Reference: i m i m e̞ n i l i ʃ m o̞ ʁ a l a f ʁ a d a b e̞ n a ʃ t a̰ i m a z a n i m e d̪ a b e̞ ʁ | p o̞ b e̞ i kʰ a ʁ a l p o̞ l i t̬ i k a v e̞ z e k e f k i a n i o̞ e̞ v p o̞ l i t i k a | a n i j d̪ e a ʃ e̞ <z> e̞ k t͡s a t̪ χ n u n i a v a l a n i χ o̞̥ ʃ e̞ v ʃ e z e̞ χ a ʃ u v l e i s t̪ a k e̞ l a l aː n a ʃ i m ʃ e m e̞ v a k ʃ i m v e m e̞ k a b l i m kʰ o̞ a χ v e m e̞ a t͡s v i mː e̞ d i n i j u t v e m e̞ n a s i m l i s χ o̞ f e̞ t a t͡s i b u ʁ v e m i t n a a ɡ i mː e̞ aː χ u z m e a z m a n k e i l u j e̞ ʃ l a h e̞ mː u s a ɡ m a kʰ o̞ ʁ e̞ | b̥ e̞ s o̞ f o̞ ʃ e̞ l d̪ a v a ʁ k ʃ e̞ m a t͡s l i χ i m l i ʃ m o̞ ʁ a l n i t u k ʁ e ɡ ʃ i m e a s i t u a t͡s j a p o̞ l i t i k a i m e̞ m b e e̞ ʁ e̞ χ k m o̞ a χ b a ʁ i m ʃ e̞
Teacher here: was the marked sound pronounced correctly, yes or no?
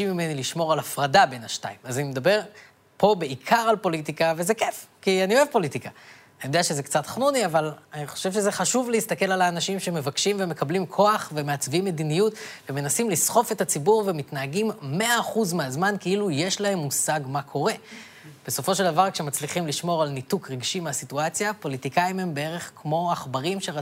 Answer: yes